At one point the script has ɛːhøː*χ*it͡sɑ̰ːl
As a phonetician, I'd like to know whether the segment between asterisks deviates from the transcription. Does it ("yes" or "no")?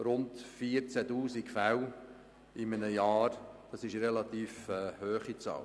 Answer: no